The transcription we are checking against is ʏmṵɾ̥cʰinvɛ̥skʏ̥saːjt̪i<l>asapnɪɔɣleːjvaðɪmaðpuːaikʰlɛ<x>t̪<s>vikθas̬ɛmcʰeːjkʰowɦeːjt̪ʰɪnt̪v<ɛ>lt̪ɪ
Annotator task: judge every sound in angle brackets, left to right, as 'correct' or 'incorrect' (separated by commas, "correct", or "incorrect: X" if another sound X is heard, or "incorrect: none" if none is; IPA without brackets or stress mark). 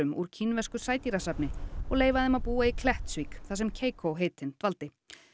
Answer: incorrect: ɾ, incorrect: h, correct, incorrect: a